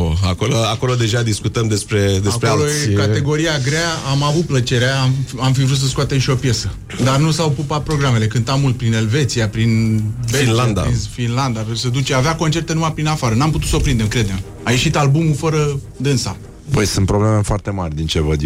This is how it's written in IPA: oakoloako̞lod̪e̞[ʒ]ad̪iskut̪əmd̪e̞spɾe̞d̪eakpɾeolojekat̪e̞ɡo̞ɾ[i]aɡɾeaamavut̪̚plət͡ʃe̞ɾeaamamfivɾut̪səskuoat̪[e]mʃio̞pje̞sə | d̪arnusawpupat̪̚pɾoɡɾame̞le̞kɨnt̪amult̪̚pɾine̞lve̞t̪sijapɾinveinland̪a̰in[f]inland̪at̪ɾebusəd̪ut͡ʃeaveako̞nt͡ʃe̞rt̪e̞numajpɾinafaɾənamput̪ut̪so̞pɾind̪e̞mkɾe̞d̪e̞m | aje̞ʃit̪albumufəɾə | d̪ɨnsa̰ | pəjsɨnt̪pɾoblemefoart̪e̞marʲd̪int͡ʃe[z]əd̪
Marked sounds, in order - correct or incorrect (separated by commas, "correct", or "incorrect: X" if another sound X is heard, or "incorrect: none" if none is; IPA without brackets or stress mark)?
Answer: correct, correct, correct, correct, incorrect: v